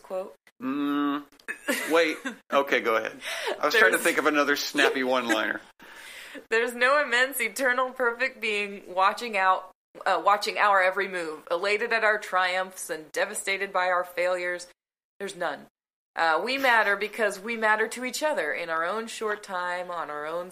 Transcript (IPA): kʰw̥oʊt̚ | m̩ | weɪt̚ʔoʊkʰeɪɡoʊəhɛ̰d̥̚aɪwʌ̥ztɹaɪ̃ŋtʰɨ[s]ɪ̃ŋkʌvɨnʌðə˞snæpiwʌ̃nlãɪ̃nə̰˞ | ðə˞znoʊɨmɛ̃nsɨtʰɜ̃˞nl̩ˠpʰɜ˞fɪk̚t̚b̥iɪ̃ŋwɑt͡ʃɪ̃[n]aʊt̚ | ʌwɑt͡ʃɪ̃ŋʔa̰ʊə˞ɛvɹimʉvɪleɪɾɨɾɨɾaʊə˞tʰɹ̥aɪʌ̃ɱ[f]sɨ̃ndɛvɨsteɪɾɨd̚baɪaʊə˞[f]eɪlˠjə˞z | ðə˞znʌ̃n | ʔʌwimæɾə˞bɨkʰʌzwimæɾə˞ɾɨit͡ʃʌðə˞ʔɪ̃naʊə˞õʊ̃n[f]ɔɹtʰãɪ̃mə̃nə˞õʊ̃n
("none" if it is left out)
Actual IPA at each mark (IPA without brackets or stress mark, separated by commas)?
θ, ŋ, f, f, ʃ